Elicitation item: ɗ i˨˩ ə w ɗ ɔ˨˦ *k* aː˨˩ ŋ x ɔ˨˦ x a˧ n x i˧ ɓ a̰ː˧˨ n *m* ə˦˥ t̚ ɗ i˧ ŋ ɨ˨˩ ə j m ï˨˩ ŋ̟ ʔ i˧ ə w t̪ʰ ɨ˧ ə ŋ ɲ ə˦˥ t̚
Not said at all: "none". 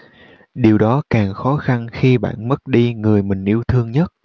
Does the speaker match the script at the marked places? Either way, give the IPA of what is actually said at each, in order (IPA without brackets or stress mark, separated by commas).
k, m